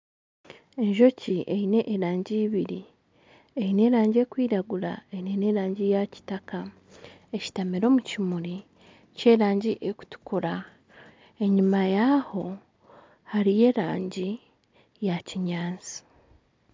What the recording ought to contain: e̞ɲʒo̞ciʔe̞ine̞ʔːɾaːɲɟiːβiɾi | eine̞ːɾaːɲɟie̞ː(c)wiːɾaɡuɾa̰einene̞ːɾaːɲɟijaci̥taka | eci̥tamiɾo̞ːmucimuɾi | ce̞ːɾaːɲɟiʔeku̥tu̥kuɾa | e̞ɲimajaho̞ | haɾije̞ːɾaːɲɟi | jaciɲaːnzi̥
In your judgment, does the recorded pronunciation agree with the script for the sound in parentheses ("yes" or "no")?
no